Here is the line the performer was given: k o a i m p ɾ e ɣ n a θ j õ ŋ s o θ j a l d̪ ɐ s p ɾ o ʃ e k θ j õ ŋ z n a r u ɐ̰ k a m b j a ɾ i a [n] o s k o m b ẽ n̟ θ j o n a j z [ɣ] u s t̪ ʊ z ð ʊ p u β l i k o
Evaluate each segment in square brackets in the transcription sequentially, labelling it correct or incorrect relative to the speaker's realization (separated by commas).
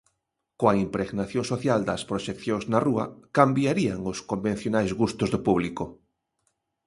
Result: incorrect, correct